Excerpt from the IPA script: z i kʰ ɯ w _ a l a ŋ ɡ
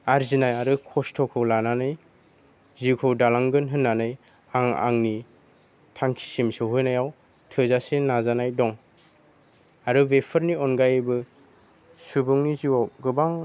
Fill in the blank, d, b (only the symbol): d